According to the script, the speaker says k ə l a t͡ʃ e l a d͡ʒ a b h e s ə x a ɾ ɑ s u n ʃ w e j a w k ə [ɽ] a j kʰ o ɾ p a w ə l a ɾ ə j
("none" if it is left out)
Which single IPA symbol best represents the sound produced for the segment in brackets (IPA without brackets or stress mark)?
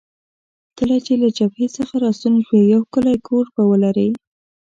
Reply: l